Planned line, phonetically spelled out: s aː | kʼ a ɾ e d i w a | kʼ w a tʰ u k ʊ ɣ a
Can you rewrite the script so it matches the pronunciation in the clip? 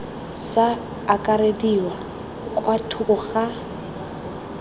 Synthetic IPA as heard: s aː | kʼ a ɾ e d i w a | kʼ w a tʰ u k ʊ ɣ a